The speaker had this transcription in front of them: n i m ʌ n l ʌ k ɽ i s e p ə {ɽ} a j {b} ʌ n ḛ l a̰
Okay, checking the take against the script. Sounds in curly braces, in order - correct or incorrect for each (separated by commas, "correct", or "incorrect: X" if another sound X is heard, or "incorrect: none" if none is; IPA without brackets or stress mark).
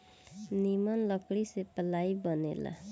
incorrect: l, correct